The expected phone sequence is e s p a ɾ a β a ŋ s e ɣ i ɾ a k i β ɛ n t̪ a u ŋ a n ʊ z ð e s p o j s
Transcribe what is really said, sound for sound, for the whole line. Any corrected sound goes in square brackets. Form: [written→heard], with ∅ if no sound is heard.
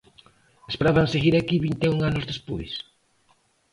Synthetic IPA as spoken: e s p [a→e] ɾ a β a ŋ s e ɣ i ɾ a k i β [ɛ→i] n t̪ [a→e] u ŋ a n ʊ z ð e s p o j s